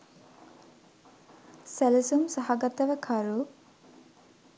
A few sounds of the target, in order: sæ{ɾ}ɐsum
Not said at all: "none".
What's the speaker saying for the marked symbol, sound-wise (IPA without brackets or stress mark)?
l